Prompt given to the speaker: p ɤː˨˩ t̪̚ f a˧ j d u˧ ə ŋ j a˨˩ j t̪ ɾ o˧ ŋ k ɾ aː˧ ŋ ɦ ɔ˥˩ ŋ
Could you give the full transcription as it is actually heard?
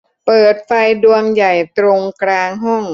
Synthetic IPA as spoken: p ɤː˨˩ t̪̚ f a˧ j d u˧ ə ŋ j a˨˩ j t̪ ɾ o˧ ŋ k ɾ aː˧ ŋ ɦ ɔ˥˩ ŋ

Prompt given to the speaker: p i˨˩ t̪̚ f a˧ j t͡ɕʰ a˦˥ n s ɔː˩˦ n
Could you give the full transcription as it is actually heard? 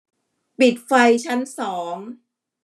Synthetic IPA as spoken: p i˨˩ t̪̚ f a˧ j t͡ɕʰ a˦˥ n s ɔː˩˦ ŋ

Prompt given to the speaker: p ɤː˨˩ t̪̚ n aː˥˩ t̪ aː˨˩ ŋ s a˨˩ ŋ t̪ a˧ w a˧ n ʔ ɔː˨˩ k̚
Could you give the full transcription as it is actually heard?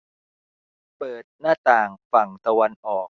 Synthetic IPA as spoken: p ɤː˨˩ t̪̚ n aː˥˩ t̪ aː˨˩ ŋ f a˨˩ ŋ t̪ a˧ w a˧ n ʔ ɔː˨˩ k̚

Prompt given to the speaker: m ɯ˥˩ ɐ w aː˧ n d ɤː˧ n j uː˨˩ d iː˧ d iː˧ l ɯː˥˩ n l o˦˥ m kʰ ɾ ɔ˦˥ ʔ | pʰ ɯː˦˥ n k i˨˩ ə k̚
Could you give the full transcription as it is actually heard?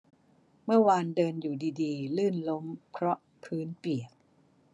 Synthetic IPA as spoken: m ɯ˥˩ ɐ w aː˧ n d ɤː˧ n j uː˨˩ d iː˧ d iː˧ l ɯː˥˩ n l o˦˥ m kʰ ɾ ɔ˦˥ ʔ | pʰ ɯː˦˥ n p i˨˩ ə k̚

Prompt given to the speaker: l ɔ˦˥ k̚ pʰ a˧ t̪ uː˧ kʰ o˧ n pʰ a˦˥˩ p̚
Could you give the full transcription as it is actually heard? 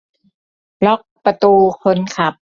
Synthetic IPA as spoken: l ɔ˦˥ k̚ p a˧ t̪ uː˧ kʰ o˧ n kʰ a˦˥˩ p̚

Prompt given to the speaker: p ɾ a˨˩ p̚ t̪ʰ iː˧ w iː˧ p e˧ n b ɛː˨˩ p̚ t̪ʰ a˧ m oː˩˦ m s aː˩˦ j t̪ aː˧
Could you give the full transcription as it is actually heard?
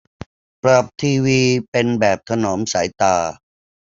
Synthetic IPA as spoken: p ɾ a˨˩ p̚ t̪ʰ iː˧ w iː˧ p e˧ n b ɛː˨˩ p̚ t̪ʰ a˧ n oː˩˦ m s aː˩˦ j t̪ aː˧

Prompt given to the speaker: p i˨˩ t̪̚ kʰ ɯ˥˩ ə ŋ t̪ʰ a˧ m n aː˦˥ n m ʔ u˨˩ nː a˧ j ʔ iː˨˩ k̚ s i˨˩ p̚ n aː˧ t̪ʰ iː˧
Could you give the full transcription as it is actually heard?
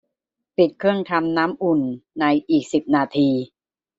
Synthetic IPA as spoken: p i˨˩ t̪̚ kʰ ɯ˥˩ ə ŋ t̪ʰ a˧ m n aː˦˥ m ʔ u˨˩ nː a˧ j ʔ iː˨˩ k̚ s i˨˩ p̚ n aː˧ t̪ʰ iː˧

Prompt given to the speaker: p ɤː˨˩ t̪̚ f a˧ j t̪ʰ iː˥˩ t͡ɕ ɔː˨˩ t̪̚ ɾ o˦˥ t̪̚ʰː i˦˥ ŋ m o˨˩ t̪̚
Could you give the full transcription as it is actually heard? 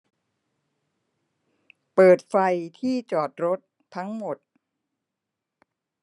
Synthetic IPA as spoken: p ɤː˨˩ t̪̚ f a˧ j t̪ʰ iː˥˩ t͡ɕ ɔː˨˩ t̪̚ ɾ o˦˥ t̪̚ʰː a˦˥ ŋ m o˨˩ t̪̚

